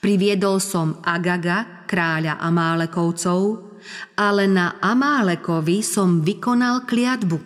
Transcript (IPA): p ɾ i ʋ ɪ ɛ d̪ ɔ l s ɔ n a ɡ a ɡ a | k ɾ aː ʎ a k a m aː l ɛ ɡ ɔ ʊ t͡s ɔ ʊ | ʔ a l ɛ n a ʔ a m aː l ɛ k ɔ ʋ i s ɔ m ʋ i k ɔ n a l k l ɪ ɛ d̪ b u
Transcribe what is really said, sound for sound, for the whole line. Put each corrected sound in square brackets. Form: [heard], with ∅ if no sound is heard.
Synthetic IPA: p ɾ i ʋ ɪ ɛ d̪ ɔ l s ɔ [m] a ɡ a ɡ a | k ɾ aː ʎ a [ʔ] a m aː l ɛ [k] ɔ ʊ t͡s ɔ ʊ | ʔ a l ɛ n a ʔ a m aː l ɛ k ɔ ʋ i s ɔ m ʋ i k ɔ n a l k l ɪ [a] d̪ b u